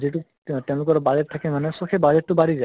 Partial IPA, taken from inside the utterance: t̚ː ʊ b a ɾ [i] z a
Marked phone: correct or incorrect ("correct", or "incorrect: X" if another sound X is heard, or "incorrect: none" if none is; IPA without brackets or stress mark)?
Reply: correct